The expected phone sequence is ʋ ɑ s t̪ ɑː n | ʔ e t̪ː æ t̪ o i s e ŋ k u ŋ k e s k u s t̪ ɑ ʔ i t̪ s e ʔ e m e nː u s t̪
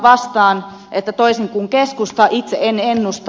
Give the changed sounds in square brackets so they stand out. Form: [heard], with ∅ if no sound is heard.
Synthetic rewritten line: ʋ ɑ s t̪ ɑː n | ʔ e t̪ː æ t̪ o i s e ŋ k u ŋ k e s k u s t̪ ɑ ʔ i t̪ s e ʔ e [n] e nː u s t̪